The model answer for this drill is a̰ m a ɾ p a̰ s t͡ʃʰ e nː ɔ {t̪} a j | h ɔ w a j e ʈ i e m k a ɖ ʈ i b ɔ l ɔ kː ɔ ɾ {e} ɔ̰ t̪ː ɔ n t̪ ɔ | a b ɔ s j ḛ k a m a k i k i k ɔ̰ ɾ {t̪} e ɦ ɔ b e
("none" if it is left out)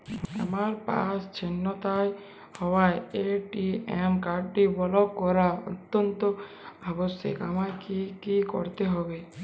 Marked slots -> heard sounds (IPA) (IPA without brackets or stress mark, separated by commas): t̪, a, t̪